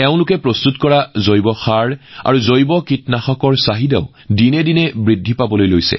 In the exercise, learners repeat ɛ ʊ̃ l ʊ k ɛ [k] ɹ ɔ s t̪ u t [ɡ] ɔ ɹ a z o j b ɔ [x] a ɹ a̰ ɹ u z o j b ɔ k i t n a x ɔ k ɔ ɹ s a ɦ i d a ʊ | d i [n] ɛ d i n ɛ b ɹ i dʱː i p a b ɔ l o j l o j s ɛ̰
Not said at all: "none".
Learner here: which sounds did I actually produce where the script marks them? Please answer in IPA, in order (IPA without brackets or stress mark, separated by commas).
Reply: p, k, x, n